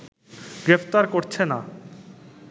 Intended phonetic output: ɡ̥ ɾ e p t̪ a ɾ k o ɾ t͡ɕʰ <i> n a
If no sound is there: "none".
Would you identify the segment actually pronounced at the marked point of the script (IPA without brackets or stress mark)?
e